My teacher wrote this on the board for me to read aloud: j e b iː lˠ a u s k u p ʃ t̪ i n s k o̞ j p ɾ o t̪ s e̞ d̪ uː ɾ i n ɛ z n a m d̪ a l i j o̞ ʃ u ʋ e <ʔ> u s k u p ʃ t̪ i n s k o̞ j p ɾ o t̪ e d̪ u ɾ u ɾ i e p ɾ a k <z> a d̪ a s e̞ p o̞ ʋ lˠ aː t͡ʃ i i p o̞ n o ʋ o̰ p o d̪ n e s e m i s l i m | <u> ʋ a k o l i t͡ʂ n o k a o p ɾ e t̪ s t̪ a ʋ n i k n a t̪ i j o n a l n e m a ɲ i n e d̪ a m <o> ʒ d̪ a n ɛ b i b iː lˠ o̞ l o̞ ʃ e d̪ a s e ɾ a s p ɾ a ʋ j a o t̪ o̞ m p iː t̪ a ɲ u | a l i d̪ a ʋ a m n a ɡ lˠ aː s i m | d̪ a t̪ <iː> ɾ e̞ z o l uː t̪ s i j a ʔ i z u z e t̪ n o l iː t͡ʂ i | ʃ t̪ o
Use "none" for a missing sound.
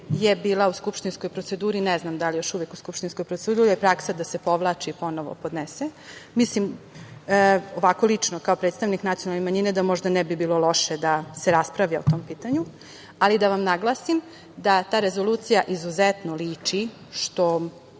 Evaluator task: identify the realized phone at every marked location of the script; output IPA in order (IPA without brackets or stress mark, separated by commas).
k, s, o, o, aː